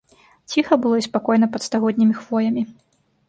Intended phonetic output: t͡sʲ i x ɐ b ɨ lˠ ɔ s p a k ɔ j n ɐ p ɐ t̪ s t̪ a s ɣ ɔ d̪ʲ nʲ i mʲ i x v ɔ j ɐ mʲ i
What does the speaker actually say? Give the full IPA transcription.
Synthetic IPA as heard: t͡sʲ i x ɐ b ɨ lˠ ɔ s p a k ɔ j n ɐ p ɐ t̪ s t̪ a ɣ ɔ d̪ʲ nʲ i mʲ i x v ɔ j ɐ mʲ i